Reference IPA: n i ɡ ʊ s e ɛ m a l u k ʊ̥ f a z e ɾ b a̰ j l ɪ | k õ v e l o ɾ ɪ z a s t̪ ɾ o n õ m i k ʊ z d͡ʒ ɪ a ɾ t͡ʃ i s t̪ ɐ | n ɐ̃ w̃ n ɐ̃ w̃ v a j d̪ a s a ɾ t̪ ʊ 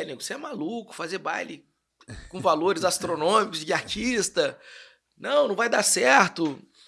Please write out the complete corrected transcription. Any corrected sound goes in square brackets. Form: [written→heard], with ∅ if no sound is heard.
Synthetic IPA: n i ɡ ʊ s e ɛ m a l u k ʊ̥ f a z e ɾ b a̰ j l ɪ | k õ v [e→a] l o ɾ ɪ z a s t̪ ɾ o n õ m i k ʊ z d͡ʒ ɪ a ɾ t͡ʃ i s t̪ ɐ | n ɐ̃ w̃ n ɐ̃ w̃ v a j d̪ a s [a→ɛ] ɾ t̪ ʊ